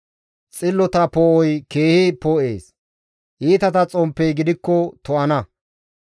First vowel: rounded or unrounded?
unrounded